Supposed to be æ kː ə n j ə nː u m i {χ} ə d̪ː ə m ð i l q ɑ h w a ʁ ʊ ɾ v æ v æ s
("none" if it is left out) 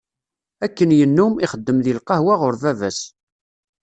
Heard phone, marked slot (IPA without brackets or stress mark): χ